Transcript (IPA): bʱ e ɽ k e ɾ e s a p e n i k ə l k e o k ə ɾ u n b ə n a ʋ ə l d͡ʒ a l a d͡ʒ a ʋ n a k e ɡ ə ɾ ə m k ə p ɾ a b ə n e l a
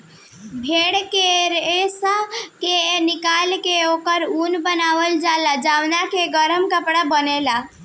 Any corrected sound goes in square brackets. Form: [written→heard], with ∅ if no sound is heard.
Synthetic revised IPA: bʱ e ɽ k e ɾ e s a [p→k] e n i k [ə→a] l k e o k ə ɾ u n b ə n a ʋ ə l d͡ʒ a l a d͡ʒ a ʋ n a k e ɡ ə ɾ ə m k ə p [ɾ→ɽ] a b ə n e l a